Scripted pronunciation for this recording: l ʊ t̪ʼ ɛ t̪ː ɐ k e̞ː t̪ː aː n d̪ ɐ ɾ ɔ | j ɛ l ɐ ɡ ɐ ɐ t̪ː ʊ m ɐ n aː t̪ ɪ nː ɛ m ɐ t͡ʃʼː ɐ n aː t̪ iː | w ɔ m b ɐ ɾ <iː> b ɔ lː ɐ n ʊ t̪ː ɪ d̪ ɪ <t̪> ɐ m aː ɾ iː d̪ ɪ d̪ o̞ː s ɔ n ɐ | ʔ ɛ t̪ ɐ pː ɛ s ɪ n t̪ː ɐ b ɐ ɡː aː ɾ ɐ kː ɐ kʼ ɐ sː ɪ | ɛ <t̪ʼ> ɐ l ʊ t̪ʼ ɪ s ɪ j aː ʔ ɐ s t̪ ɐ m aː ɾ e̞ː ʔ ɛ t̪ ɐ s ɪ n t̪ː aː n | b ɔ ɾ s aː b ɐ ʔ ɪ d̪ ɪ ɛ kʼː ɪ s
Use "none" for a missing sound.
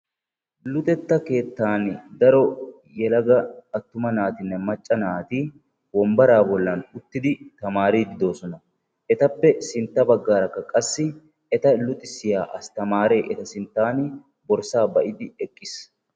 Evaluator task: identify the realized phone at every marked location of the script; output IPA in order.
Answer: aː, t̪, t̪

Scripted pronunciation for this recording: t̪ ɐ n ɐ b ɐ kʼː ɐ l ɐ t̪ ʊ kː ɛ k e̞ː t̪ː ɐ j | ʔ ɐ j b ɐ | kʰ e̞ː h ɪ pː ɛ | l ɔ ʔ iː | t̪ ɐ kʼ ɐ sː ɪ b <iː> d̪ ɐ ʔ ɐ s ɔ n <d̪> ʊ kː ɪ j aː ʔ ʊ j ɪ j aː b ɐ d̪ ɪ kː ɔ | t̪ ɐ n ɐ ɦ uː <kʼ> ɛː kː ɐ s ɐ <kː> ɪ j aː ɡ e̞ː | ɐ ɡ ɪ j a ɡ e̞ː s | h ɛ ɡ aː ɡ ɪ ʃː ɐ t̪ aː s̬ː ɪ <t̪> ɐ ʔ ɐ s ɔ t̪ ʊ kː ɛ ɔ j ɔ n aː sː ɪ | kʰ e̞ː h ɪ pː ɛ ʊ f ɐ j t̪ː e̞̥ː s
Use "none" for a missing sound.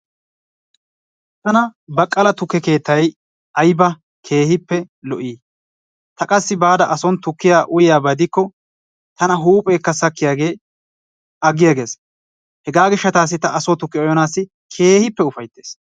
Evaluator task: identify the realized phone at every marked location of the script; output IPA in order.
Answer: aː, t̪, pʼ, kː, t̪

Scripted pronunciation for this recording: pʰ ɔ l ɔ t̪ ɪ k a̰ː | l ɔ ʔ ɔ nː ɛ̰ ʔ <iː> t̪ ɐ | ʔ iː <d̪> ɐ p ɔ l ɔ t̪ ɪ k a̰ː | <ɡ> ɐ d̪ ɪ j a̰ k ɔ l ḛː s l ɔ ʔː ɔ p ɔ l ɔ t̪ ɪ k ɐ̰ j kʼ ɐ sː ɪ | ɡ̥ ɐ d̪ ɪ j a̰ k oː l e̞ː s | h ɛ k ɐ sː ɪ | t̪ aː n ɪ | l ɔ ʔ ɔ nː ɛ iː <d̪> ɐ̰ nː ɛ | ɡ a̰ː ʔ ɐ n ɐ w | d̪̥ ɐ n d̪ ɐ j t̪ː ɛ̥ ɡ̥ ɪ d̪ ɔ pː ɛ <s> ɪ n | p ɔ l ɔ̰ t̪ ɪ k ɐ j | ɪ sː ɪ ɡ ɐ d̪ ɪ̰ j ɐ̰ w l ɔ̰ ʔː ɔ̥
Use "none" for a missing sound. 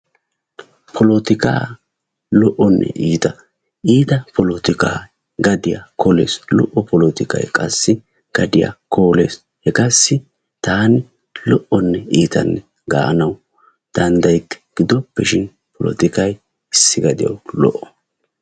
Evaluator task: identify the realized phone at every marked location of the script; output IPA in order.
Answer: iː, t̪, ɡ, t̪, ʃ

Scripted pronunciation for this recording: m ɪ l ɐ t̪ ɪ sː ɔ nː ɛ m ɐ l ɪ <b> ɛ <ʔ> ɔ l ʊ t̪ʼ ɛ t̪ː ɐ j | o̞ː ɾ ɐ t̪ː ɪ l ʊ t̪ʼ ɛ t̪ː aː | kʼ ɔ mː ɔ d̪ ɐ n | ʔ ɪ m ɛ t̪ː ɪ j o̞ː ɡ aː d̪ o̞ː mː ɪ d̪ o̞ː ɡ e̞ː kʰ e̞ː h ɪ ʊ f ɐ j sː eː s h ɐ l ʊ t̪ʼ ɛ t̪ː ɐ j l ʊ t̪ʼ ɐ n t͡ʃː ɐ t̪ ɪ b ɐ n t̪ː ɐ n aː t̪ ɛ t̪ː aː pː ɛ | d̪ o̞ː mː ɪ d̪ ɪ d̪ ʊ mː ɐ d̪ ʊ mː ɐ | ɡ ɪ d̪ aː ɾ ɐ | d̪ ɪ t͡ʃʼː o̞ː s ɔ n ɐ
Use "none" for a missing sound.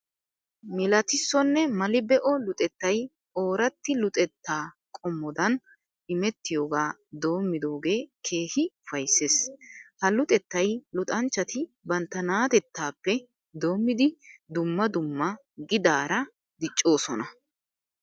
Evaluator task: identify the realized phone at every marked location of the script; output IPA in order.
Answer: b, ʔ

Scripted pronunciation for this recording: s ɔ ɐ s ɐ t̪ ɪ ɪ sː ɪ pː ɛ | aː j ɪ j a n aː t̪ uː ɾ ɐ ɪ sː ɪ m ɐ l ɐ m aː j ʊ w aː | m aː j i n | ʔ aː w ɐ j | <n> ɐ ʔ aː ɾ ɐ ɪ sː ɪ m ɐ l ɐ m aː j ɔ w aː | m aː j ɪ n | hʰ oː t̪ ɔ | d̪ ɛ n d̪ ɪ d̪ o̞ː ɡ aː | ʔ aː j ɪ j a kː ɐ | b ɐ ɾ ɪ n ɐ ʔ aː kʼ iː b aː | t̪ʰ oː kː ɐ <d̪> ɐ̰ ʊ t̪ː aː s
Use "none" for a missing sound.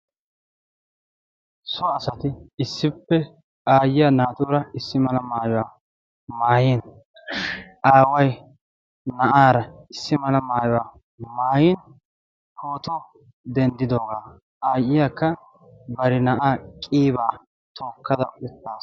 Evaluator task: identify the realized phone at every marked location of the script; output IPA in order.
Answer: n, d̪

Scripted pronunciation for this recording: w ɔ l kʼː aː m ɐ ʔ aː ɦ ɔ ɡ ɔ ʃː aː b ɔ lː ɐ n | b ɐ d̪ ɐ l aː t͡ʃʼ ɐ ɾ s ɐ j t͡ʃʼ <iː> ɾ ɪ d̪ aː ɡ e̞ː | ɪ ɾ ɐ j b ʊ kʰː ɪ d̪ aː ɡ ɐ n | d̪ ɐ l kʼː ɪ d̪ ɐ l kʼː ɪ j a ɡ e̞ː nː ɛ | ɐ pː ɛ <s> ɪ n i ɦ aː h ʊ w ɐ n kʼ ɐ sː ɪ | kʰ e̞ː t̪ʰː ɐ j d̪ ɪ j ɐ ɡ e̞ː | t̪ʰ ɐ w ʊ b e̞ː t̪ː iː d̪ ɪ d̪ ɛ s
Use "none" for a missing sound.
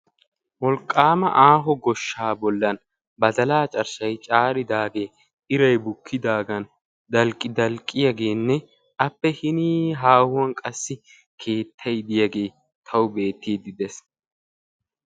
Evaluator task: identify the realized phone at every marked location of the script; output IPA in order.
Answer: aː, h

